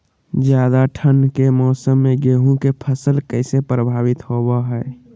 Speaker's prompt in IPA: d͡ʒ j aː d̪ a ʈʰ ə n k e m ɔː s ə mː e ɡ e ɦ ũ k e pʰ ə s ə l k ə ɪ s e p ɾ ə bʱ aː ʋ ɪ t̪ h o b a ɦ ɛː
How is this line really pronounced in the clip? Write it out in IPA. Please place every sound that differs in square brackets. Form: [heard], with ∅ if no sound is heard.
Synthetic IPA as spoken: d͡ʒ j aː d̪ a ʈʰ ə n k e m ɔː s ə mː e ɡ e ɦ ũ k e pʰ ə s ə l k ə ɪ s e p ɾ ə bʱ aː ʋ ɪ t̪ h o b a ɦ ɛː